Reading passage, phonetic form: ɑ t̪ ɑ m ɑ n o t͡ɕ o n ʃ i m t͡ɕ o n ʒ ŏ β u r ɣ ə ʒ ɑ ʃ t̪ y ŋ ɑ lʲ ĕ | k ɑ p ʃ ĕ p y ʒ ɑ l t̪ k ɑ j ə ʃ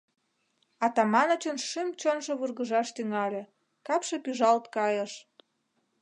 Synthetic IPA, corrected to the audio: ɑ t̪ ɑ m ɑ n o t͡ɕ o n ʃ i m t͡ɕ o n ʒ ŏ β u r ɣ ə ʒ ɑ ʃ t̪ y ŋ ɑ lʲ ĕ | k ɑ p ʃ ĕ p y ʒ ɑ l t̪ k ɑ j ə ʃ